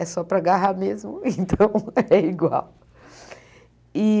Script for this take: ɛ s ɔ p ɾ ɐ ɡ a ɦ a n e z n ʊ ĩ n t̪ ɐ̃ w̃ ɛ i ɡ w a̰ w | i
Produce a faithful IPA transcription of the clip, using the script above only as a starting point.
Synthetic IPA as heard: ɛ s ɔ p ɾ ɐ ɡ a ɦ a m e z m ʊ ẽ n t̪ ɐ̃ w̃ ɛ i ɡ w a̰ w | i